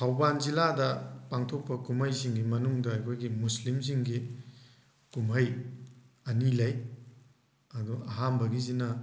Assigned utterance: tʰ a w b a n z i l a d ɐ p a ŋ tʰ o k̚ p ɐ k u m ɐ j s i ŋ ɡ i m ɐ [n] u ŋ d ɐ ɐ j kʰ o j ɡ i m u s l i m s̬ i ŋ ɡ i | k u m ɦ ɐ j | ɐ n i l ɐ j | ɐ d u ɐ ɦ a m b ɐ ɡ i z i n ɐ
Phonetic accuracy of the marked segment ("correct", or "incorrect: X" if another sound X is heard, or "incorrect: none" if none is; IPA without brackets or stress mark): correct